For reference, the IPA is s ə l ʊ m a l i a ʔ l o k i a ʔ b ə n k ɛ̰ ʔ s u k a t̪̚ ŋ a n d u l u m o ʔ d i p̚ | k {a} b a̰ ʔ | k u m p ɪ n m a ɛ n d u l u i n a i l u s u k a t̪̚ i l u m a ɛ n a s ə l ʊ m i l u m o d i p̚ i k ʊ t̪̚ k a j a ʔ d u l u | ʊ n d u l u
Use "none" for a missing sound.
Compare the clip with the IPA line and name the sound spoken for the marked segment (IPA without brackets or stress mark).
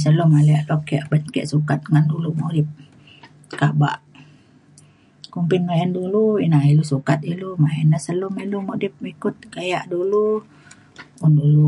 a